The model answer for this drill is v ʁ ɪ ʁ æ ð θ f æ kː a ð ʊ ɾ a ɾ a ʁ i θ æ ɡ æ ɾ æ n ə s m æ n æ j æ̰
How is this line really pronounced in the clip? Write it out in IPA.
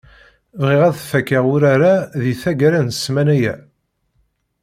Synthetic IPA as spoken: v ʁ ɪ ʁ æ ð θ f æ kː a ʁ ʊ ɾ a ɾ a ð i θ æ ɡ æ ɾ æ n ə s m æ n æ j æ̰

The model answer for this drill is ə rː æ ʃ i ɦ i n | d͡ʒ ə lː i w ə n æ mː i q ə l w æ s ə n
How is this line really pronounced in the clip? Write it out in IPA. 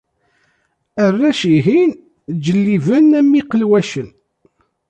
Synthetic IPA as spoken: ə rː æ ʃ i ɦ i n | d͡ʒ ə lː i v ə n æ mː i q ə l w æ ʃ ə n

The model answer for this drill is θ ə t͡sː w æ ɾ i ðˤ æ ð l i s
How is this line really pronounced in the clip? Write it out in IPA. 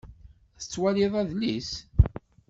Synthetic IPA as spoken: θ ə t͡sː w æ l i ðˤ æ ð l i s

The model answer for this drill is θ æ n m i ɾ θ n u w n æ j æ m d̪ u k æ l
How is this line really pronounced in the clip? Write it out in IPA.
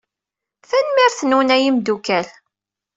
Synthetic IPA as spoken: θ æ n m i ɾ θ n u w n æ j i m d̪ u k æ l

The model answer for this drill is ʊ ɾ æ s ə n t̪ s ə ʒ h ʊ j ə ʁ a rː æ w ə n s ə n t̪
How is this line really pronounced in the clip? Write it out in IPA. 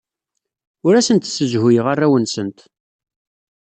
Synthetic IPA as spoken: ʊ ɾ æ s ə n t̪ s ə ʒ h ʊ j ə ʁ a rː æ w ə n s ə n t̪

